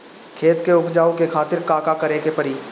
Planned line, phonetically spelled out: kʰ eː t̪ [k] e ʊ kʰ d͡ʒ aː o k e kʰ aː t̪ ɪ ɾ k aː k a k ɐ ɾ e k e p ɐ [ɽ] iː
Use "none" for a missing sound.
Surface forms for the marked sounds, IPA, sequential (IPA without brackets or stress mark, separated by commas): k, ɾ